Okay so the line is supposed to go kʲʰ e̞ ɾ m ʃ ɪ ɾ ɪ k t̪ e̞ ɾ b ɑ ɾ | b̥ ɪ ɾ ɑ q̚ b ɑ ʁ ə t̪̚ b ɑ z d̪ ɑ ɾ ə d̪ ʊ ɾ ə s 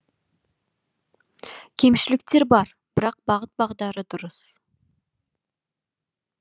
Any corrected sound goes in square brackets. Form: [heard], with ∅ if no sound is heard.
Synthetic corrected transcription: kʲʰ e̞ [∅] m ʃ ɪ [l] ɪ k t̪ e̞ ɾ b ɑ ɾ | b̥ ɪ ɾ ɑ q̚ b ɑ ʁ ə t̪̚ b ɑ [ʁ] d̪ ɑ ɾ ə d̪ ʊ ɾ ə s